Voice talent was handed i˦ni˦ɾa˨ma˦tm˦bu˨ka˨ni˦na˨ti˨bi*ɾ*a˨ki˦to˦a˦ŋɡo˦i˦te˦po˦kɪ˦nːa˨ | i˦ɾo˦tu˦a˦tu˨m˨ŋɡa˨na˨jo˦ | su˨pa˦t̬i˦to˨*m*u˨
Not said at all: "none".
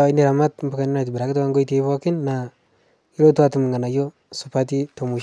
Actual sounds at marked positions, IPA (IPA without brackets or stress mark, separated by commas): ɾ, m